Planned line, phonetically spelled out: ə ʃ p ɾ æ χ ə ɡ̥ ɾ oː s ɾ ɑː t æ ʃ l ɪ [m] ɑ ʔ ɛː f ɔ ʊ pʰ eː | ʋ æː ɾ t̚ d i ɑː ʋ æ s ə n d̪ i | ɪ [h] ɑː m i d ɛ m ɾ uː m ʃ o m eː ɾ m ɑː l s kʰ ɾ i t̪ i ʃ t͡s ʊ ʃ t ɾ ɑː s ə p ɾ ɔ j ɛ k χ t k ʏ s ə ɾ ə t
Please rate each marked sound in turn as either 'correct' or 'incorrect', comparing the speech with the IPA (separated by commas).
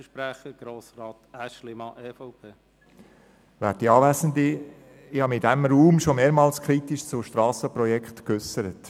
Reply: correct, correct